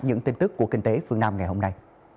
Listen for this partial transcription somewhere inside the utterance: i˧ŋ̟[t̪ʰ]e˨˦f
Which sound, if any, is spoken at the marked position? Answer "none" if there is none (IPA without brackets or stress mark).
t̪